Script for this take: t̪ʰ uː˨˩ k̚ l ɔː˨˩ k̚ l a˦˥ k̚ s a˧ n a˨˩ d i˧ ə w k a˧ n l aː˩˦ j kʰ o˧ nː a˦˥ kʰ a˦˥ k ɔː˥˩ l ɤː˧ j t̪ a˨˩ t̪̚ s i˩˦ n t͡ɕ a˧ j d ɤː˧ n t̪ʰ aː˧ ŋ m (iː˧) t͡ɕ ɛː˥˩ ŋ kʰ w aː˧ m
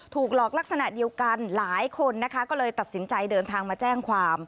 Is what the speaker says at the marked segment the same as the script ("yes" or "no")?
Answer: no